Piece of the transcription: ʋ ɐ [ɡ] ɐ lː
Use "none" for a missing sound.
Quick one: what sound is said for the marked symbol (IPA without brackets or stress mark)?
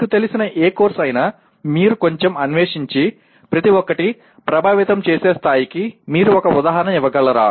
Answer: ɡ